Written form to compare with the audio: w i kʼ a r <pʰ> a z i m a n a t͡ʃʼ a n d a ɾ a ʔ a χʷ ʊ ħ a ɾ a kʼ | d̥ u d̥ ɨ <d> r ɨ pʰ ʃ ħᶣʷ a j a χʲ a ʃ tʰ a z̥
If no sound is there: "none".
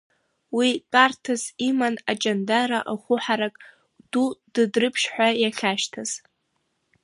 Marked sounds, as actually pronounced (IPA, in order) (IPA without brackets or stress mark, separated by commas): tʰ, d